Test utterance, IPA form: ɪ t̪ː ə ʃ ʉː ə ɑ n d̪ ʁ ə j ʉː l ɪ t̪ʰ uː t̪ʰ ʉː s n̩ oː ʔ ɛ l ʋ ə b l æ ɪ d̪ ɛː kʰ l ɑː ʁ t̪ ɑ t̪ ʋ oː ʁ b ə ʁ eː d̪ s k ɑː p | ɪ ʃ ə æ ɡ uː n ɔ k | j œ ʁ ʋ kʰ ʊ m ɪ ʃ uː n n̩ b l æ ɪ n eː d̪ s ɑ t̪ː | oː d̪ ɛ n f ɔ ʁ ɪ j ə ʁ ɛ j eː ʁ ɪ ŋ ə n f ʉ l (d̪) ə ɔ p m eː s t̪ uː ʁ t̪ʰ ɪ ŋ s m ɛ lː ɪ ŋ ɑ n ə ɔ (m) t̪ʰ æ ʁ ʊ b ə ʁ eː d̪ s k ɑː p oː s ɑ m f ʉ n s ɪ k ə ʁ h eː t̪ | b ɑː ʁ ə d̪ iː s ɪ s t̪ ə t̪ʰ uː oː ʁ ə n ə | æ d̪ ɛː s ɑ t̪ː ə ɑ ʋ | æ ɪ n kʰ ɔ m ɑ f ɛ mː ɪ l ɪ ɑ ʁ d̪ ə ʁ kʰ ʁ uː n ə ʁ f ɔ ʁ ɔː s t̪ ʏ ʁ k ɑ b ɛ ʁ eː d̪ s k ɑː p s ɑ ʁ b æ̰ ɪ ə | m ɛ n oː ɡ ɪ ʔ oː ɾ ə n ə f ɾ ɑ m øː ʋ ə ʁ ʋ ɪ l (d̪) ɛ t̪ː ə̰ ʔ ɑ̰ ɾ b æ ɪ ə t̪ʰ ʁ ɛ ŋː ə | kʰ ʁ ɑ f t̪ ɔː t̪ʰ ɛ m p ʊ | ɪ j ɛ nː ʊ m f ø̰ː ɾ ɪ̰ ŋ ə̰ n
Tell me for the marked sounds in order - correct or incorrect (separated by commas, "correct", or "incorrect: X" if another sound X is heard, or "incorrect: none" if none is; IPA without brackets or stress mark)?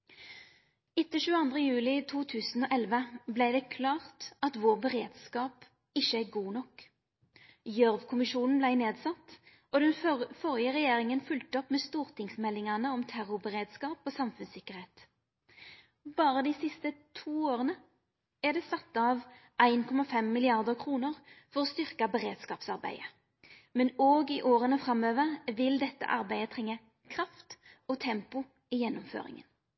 incorrect: t̪, correct, correct